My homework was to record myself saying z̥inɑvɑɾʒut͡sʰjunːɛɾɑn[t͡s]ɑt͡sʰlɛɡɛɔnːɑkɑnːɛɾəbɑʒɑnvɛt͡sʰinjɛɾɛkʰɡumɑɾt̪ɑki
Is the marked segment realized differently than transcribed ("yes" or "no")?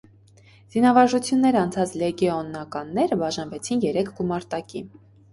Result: yes